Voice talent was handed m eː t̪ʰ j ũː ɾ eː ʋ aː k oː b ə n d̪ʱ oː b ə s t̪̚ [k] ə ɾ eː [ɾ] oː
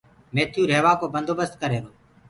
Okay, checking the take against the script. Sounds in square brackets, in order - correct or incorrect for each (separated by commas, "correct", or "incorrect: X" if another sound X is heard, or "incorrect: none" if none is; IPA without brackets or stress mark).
correct, correct